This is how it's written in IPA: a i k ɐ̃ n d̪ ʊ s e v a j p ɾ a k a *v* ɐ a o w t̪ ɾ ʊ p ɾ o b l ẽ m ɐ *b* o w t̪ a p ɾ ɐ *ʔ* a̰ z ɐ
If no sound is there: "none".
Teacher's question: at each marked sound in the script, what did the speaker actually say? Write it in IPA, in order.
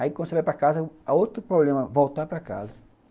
z, v, k

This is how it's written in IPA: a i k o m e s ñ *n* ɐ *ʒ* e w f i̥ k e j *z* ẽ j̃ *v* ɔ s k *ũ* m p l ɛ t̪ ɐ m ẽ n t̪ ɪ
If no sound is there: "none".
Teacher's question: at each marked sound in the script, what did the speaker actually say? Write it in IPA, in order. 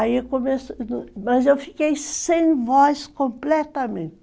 m, z, s, v, õ

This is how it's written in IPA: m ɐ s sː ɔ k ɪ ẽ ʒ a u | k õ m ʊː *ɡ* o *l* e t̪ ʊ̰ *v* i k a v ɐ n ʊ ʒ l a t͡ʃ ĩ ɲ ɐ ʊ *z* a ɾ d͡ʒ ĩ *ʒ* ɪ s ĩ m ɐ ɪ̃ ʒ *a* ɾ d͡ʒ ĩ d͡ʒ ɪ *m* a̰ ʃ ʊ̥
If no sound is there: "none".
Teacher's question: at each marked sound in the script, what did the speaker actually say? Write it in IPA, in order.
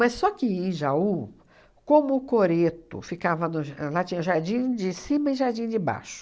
k, ɾ, f, ʒ, d͡ʒ, a, b

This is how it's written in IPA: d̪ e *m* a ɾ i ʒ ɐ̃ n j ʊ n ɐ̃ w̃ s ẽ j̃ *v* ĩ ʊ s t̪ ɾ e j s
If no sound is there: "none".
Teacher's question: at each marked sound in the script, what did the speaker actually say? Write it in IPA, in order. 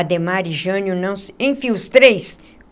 m, f

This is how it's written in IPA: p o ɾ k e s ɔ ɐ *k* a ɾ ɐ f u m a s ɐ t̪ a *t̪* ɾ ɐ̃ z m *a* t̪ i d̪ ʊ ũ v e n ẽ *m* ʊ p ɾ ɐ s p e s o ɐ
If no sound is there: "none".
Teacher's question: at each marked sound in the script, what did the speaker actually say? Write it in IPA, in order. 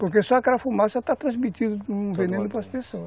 k, t̪, i, n

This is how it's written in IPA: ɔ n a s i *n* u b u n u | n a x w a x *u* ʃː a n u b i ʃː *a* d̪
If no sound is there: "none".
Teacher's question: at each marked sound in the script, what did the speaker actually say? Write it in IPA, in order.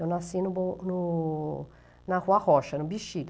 n, ɔ, i

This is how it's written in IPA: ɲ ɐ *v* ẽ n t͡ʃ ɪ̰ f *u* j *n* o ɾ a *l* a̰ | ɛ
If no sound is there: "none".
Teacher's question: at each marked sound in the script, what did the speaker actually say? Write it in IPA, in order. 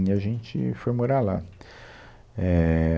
ʒ, o, m, l

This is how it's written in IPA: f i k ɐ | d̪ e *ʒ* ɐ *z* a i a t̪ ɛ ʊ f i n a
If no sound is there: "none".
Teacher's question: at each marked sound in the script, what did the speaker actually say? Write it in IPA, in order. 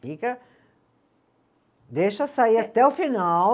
ʃ, s

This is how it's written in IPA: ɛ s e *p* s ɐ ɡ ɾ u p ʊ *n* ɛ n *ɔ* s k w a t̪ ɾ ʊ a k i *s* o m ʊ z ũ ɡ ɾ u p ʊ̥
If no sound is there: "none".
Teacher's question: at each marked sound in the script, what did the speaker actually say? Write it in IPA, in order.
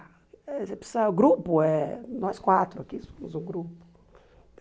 p, none, ɔ, s

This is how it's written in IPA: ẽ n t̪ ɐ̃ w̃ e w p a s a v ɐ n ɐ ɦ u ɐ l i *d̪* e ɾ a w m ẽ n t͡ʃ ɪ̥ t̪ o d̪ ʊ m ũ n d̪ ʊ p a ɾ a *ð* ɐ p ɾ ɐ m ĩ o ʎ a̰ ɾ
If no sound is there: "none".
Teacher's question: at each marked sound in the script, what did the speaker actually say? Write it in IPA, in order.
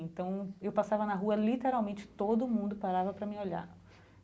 t̪, v

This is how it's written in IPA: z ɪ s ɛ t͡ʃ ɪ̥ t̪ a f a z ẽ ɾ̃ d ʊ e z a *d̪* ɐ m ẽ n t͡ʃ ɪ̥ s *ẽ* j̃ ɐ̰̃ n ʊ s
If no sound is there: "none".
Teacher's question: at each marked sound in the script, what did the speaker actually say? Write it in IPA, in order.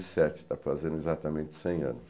t̪, ẽ

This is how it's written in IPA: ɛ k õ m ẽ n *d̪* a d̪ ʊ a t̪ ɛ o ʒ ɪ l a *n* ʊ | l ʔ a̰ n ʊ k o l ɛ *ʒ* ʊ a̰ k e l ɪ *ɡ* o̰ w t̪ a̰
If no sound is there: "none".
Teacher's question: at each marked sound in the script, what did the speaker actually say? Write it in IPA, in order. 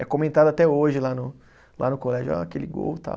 t̪, n, ʒ, ɡ

